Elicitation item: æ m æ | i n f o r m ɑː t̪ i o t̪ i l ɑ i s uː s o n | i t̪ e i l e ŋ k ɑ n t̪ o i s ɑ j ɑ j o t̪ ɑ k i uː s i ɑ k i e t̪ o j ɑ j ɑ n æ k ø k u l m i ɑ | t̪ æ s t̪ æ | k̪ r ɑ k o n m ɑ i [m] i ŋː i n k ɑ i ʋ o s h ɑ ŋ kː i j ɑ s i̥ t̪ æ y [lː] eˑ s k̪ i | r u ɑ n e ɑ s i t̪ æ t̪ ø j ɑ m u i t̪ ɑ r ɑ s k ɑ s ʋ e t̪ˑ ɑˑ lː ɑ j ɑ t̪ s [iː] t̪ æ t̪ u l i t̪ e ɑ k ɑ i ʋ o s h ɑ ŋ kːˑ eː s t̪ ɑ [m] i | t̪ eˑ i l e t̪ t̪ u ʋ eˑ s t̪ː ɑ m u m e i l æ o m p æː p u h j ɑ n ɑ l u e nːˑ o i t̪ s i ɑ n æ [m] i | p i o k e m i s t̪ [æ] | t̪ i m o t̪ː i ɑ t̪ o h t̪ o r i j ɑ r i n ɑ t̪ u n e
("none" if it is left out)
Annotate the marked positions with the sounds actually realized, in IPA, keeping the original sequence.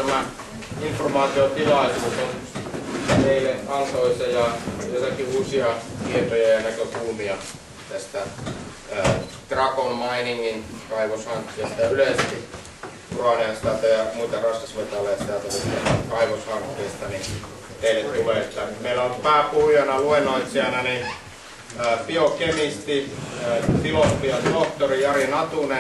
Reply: n, l, i, n, n, i

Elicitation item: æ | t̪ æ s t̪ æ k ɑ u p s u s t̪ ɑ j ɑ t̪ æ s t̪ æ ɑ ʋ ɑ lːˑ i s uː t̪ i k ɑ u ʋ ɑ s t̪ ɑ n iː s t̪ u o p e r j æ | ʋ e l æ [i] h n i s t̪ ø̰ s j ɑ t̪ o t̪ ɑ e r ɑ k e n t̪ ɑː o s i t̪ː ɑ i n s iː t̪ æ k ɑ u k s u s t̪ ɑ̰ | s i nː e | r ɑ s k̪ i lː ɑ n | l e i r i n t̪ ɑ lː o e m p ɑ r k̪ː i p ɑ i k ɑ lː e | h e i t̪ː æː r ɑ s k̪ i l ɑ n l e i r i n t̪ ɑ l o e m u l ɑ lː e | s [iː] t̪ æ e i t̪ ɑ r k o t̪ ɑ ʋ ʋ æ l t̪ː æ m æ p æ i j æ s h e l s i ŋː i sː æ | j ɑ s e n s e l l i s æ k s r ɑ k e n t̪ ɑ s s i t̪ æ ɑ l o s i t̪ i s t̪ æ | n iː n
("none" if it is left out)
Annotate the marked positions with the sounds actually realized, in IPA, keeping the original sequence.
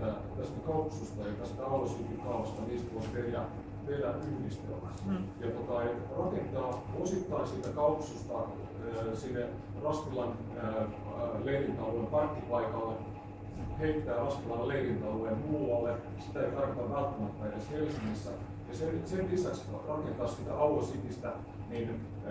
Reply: y, i

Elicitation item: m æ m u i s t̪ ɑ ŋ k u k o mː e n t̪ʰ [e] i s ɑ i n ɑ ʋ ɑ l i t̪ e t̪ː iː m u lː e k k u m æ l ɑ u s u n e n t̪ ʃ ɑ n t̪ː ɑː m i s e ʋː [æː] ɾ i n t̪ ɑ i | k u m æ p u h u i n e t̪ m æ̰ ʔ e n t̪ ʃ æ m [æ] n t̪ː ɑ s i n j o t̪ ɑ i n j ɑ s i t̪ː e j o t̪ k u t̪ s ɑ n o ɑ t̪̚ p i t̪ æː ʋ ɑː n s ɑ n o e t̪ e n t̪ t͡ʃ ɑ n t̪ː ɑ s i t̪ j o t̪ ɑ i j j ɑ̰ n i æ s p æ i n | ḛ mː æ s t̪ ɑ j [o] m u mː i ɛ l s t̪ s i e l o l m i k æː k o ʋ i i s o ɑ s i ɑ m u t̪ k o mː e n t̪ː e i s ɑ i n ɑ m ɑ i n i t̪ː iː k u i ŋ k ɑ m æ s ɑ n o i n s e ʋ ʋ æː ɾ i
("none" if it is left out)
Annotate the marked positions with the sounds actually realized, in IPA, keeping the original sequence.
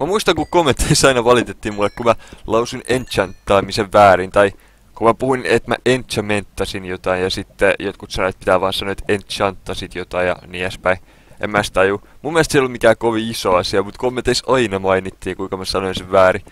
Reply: e, æː, e, u

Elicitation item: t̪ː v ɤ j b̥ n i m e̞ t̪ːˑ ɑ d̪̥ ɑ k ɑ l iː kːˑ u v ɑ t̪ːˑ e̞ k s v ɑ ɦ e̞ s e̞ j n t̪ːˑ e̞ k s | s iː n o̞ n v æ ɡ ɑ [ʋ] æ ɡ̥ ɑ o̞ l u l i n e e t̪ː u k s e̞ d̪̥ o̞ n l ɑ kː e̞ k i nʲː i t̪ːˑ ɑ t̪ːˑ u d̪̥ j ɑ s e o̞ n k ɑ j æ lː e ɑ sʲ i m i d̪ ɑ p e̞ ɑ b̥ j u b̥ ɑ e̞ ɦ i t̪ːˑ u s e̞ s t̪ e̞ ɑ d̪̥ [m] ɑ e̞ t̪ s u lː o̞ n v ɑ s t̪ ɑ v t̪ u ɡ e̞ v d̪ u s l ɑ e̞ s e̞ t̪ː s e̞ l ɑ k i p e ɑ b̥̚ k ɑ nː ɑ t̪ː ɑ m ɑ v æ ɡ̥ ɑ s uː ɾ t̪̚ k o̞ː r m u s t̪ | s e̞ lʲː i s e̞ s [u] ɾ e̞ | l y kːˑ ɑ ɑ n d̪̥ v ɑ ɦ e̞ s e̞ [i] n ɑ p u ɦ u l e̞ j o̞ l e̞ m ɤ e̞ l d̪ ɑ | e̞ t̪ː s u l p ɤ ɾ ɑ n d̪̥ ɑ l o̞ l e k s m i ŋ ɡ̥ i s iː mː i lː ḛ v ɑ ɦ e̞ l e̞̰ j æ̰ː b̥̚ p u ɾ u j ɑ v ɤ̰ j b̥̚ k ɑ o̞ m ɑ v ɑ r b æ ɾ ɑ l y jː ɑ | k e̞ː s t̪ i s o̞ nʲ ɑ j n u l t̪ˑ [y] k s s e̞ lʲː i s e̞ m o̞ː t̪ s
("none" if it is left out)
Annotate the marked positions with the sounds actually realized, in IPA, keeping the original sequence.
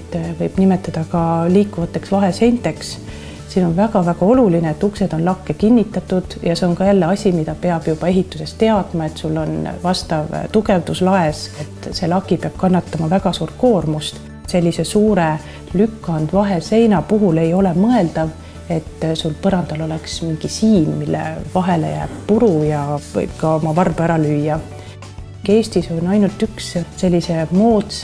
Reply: v, m, uː, j, y

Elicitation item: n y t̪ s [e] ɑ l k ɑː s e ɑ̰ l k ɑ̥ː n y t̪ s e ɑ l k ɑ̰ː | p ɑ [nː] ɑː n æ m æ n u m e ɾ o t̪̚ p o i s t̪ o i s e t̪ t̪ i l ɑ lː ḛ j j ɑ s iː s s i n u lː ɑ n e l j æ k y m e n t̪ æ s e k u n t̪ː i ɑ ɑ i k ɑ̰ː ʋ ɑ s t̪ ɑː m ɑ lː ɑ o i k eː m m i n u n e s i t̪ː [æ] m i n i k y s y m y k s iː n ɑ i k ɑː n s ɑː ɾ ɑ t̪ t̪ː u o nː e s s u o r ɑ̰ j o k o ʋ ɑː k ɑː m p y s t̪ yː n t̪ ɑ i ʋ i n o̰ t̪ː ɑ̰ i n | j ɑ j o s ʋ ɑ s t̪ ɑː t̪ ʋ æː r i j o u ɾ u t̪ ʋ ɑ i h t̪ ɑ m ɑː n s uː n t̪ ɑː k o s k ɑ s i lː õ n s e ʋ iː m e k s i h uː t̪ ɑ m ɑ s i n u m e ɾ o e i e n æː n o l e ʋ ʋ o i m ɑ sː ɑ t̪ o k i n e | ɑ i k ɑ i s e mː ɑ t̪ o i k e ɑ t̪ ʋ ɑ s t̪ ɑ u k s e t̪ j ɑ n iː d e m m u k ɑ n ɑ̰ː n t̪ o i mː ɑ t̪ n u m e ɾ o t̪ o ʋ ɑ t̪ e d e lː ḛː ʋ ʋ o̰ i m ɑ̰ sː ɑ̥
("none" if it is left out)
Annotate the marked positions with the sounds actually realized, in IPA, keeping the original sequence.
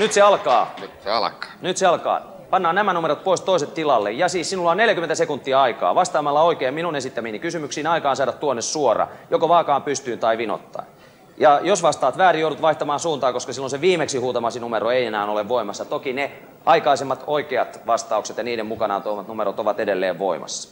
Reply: e, nː, æ

